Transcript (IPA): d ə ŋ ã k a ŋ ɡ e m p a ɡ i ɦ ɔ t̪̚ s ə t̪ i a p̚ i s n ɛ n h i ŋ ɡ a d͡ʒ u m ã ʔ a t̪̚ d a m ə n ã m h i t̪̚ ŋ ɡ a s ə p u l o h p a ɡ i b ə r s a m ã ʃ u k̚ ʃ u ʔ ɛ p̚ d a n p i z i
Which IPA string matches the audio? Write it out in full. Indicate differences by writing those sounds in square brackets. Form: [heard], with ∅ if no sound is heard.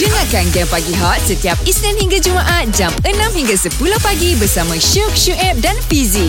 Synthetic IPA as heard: d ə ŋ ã k a [n] ɡ [ɛ] m p a ɡ i ɦ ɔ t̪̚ s ə t̪ i a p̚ i s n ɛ n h i ŋ ɡ a d͡ʒ u m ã ʔ a t̪̚ [d͡ʒ] a m ə n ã m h i [∅] ŋ ɡ a s ə p u l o h p a ɡ i b ə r s a m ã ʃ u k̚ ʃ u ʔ ɛ p̚ d a n p i z i